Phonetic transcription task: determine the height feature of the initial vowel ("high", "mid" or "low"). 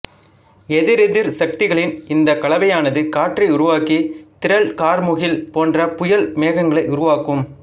mid